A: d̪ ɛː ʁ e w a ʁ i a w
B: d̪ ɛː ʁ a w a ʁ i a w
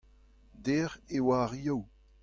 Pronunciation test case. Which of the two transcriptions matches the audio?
A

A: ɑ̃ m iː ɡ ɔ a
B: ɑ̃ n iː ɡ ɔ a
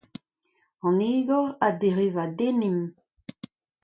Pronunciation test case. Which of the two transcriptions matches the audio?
B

